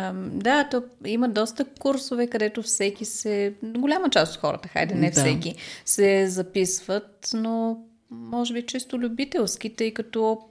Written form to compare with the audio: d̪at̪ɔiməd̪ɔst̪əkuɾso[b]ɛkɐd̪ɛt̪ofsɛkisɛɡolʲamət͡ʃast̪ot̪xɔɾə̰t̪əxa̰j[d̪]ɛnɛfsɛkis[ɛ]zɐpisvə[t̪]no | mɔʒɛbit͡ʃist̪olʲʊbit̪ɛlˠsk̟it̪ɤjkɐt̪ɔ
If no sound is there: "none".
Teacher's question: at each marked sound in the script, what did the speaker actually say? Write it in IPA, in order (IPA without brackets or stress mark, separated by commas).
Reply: v, d̪, ɛ, t̪